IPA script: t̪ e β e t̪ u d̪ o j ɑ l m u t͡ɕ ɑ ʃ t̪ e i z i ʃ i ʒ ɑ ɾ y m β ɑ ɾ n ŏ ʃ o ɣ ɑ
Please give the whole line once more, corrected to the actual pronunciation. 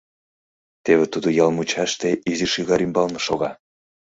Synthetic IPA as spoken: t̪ e β e t̪ u d̪ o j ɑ l m u t͡ɕ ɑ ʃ t̪ e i z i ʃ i ɣ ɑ ɾ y m b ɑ l n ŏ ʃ o ɣ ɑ